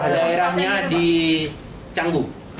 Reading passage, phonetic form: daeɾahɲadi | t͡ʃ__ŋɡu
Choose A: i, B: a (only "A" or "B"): B